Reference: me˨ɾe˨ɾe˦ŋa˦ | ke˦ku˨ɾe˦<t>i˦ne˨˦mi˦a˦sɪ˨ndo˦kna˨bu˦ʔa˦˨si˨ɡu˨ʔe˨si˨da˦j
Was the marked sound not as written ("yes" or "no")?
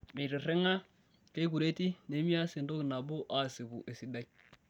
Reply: no